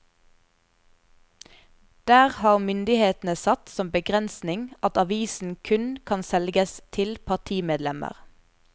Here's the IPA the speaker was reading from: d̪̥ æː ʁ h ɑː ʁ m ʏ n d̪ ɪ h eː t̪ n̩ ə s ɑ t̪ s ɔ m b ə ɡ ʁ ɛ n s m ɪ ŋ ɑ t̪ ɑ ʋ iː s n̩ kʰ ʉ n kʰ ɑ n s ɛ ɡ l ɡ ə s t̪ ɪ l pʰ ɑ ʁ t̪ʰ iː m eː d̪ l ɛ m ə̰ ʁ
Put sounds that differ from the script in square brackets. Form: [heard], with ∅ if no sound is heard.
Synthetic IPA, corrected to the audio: d̪̥ æː ʁ h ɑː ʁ m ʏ n d̪ ɪ h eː t̪ n̩ ə s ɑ t̪ s ɔ m b ə ɡ ʁ ɛ n s [n] ɪ ŋ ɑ t̪ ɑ ʋ iː s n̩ kʰ ʉ n kʰ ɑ n s ɛ [∅] l ɡ ə s [t̪ʰ] ɪ l pʰ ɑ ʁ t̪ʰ iː m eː d̪ l ɛ m ə̰ ʁ